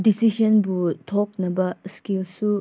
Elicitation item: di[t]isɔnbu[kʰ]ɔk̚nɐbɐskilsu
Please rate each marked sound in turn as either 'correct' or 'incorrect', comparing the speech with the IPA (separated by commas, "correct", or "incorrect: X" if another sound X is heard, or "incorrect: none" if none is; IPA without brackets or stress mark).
incorrect: s, incorrect: tʰ